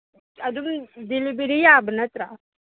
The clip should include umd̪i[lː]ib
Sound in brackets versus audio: incorrect: l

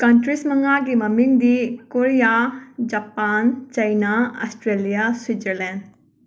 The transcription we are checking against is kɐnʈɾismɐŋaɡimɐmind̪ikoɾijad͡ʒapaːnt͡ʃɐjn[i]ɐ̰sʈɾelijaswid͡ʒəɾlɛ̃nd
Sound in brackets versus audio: incorrect: a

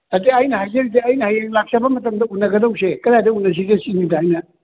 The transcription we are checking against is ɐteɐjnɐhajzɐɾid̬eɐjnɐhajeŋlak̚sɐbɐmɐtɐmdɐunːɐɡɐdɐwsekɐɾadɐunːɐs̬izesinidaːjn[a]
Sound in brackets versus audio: incorrect: ɐ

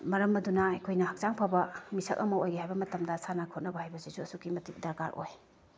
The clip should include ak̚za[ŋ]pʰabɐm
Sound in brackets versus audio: correct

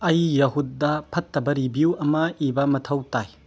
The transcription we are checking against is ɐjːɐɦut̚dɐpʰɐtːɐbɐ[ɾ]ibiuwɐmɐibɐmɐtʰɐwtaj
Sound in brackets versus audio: correct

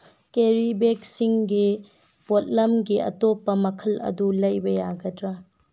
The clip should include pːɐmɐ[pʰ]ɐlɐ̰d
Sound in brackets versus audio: incorrect: kʰ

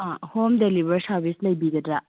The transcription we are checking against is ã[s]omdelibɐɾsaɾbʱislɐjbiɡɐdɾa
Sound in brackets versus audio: incorrect: h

